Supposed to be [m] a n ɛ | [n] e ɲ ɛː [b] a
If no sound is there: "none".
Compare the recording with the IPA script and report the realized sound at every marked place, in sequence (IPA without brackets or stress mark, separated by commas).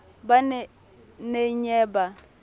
b, n, b